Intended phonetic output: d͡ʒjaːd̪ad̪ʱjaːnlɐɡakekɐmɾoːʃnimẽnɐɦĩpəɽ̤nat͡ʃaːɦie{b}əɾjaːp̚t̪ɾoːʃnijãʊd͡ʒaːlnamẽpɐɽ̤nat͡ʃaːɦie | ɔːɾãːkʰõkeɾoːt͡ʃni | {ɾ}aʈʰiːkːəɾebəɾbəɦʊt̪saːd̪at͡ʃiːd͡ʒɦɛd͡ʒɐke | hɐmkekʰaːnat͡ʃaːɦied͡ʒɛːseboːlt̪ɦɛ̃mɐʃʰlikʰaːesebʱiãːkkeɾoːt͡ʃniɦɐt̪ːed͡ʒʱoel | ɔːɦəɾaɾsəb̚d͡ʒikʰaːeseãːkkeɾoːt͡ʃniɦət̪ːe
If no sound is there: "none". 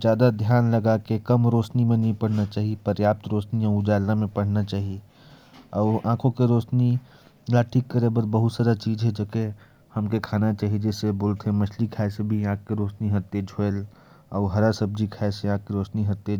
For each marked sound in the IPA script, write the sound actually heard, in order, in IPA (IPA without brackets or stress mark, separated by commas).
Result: p, l